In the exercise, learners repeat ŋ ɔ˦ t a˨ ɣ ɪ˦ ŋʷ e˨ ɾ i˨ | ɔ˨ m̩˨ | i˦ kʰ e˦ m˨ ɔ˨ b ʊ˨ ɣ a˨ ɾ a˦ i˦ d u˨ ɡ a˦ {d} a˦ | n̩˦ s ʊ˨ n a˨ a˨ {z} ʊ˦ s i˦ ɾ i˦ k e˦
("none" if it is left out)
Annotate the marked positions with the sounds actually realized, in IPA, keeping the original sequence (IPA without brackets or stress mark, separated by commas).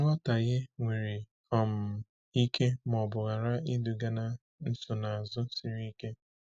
n, z